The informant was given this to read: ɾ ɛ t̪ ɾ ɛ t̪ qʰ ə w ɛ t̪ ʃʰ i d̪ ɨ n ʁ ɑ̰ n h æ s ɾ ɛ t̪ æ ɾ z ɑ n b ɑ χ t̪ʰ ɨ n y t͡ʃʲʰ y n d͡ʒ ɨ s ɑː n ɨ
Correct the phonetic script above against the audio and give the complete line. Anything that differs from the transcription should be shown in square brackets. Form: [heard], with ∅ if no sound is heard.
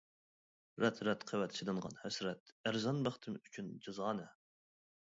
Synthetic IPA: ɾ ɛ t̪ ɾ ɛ t̪ qʰ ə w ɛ t̪ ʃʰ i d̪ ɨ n ʁ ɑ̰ n h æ s ɾ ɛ t̪ æ ɾ z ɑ n b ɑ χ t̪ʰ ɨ [m] y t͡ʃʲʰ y n d͡ʒ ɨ [z] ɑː n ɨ